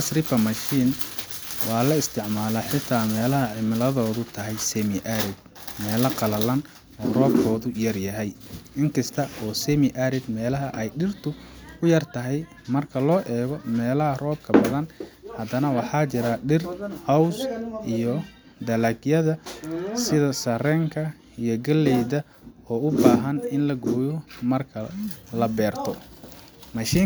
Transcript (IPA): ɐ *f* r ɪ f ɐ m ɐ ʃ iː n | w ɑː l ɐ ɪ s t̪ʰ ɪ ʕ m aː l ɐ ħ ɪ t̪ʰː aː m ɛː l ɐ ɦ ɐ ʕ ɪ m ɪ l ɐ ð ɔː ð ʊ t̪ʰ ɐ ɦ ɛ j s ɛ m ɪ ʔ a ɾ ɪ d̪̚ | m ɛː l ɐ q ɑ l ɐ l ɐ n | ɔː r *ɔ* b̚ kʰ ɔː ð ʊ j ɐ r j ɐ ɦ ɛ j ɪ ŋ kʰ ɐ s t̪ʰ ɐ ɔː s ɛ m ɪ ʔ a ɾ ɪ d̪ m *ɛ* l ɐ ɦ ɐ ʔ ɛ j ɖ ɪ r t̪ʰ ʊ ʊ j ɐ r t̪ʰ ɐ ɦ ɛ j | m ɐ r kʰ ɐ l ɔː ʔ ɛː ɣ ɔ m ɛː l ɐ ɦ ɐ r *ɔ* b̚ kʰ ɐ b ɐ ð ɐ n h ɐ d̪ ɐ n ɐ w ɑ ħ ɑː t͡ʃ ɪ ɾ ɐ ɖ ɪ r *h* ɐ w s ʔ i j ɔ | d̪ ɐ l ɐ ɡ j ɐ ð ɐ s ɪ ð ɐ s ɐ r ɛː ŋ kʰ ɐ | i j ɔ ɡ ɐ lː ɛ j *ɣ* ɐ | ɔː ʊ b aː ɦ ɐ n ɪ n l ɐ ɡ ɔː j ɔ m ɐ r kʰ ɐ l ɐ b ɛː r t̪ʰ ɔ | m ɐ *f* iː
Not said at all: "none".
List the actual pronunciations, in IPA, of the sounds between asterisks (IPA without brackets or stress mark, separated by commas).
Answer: s, ɔː, ɛː, ɔː, h, ð, ʃ